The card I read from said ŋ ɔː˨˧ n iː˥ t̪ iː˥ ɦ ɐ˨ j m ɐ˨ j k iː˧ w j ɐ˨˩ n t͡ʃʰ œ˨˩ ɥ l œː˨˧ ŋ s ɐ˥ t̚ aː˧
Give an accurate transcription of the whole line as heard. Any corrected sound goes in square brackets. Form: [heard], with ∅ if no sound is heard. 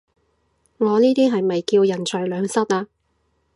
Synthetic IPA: ŋ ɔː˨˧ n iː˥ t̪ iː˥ ɦ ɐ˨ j m ɐ˨ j k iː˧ w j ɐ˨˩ n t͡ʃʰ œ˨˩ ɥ l œː˨˧ ŋ s ɐ˥ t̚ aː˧